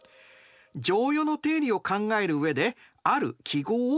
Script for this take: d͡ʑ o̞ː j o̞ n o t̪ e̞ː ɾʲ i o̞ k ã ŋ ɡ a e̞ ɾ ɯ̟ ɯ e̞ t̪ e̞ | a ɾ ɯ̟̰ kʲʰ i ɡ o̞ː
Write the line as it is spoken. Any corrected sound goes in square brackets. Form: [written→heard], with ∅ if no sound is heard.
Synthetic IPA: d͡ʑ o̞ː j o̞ n o t̪ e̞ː ɾʲ i o̞ k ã ŋ ɡ a e̞ ɾ ɯ̟ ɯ e̞ [t̪→d̪] e̞ | a ɾ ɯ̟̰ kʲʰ i ɡ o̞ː